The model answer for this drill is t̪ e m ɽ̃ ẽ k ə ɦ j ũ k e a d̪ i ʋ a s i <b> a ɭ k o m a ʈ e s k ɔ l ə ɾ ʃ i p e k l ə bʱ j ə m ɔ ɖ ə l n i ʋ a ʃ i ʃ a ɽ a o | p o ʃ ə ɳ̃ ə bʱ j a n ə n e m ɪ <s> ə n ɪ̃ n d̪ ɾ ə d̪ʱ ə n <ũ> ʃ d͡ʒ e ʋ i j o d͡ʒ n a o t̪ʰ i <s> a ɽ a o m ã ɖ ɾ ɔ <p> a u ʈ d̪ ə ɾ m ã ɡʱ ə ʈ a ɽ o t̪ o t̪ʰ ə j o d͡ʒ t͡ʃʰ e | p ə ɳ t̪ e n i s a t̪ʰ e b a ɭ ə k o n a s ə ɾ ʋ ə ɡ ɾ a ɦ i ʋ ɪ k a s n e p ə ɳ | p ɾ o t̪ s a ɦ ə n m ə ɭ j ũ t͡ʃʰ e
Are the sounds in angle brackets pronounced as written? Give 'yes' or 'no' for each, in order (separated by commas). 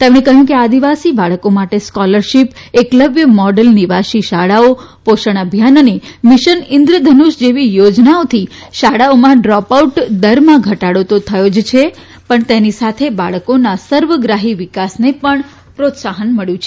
yes, no, no, no, yes